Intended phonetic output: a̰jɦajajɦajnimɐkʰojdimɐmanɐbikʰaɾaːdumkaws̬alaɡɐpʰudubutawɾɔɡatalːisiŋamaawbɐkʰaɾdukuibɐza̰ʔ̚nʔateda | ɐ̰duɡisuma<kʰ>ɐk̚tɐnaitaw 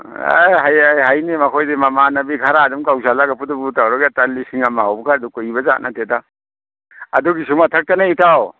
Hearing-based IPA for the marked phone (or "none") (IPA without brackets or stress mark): tʰ